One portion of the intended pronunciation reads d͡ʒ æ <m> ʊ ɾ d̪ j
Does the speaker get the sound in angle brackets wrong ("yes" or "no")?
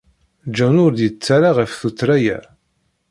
yes